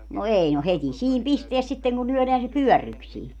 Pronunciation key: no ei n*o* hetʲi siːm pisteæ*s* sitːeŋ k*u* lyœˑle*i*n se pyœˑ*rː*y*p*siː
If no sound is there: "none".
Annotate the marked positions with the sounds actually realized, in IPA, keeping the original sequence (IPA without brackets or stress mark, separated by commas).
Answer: o, s, u, æ, rː, k